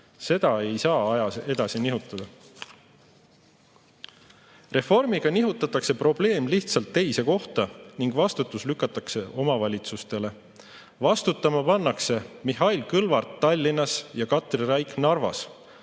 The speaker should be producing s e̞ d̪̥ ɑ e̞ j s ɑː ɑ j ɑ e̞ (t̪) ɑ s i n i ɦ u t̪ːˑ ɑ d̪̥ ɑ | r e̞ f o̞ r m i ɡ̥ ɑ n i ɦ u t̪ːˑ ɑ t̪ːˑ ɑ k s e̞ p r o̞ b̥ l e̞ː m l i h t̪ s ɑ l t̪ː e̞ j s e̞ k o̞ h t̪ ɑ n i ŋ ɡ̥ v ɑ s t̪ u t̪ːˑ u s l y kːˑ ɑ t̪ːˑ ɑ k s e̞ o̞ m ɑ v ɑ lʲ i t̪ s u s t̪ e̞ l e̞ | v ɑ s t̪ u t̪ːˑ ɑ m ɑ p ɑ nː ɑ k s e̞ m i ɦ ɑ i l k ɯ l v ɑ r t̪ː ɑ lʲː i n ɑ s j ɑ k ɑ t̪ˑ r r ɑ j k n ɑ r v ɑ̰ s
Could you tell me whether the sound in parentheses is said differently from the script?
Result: yes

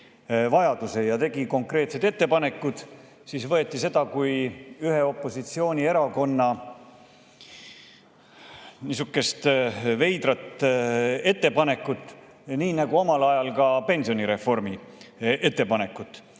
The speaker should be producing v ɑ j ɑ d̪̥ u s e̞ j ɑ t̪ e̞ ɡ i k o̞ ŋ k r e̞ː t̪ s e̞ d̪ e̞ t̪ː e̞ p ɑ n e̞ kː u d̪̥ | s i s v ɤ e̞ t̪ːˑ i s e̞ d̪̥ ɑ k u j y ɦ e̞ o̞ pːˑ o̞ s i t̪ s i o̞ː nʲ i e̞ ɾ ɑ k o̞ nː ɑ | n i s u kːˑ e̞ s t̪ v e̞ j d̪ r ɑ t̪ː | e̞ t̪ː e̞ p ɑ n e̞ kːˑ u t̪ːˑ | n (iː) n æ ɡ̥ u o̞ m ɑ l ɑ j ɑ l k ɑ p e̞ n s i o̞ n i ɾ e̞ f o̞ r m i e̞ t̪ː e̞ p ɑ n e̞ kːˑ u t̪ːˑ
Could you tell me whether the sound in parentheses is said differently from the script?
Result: no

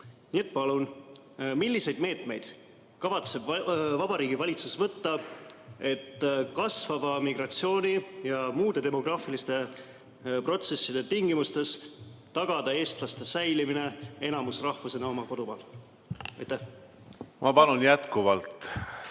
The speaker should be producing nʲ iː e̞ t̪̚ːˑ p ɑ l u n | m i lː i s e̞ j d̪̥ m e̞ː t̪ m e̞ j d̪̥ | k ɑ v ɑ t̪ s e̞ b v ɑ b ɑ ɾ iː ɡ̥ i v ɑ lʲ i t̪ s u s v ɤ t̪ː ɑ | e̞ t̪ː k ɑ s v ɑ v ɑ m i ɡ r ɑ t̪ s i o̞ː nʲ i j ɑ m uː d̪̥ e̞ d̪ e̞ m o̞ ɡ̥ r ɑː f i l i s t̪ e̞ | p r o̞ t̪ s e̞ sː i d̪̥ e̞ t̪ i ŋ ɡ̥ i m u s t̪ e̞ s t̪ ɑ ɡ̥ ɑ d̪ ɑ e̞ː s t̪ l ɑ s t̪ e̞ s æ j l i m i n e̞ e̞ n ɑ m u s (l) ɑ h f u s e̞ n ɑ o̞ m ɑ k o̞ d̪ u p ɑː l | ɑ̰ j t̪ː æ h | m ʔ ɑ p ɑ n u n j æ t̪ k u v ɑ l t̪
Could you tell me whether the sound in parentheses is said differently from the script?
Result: yes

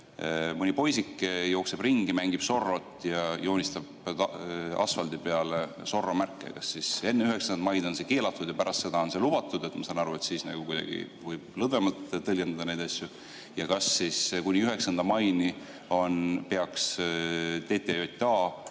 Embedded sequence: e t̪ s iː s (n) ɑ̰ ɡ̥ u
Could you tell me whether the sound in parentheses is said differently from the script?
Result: no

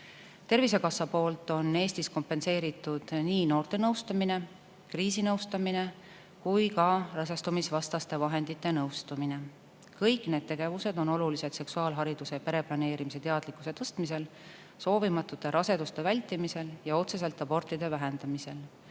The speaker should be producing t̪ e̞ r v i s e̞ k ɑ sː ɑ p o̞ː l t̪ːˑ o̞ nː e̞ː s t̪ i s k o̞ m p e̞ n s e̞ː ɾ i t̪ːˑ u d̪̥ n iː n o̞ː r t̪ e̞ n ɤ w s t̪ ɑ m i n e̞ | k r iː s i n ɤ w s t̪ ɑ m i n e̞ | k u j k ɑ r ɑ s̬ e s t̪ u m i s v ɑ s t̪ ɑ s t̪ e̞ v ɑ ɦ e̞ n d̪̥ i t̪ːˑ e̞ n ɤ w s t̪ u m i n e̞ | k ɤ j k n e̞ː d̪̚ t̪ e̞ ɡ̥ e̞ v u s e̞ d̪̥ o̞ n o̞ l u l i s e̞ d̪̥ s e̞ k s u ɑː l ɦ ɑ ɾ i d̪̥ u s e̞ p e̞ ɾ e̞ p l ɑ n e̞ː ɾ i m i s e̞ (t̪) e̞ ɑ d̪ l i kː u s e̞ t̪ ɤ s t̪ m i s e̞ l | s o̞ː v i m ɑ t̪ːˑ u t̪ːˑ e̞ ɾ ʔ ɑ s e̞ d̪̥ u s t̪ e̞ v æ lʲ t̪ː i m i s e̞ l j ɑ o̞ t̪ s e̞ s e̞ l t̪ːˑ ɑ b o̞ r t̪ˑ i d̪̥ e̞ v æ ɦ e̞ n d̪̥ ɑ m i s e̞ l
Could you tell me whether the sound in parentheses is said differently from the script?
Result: no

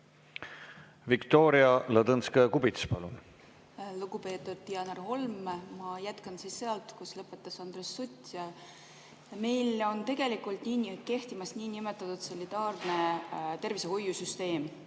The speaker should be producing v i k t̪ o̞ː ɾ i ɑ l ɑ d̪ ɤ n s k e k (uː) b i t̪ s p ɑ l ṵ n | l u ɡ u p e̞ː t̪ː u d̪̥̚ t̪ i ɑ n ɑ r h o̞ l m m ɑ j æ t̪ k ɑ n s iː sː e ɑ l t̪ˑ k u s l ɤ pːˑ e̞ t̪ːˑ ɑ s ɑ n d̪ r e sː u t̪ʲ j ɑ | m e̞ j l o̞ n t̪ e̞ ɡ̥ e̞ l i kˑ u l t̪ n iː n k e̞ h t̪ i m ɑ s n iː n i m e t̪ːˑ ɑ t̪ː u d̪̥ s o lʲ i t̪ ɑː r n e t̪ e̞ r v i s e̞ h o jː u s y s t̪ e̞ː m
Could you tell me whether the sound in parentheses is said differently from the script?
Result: yes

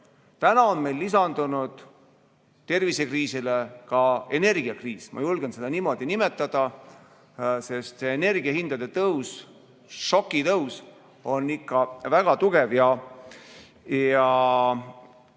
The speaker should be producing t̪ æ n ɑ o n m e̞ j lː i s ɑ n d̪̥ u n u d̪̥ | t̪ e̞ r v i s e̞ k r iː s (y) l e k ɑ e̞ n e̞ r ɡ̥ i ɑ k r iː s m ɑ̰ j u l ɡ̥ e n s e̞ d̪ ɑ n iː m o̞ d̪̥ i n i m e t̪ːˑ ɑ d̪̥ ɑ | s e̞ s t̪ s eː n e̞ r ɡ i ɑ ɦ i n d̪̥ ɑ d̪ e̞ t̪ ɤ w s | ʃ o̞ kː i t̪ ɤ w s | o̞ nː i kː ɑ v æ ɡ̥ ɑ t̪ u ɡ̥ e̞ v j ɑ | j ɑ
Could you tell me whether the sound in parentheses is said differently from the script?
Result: yes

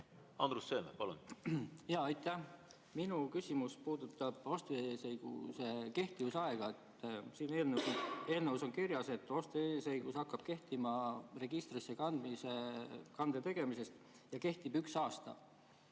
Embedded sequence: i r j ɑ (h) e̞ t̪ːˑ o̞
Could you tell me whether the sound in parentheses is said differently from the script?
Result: yes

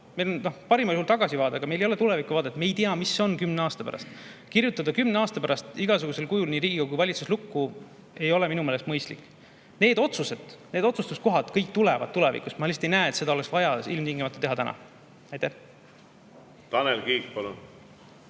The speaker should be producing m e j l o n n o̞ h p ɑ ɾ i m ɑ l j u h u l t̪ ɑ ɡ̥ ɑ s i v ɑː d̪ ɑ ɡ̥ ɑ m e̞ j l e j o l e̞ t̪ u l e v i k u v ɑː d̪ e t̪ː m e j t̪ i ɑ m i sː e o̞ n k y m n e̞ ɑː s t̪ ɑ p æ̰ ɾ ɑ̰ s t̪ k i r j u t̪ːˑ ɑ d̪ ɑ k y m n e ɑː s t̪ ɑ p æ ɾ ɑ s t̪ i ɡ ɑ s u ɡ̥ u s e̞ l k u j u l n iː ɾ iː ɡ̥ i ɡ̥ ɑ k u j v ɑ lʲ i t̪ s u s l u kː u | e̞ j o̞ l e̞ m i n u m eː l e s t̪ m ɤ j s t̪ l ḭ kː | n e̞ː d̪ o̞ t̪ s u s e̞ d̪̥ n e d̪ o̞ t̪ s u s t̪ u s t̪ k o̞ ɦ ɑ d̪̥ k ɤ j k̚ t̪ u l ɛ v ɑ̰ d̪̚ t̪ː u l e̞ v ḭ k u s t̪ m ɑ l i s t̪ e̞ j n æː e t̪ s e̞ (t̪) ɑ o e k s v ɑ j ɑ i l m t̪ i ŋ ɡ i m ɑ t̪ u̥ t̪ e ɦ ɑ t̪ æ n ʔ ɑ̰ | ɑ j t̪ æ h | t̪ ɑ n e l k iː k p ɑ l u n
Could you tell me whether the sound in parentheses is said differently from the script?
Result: yes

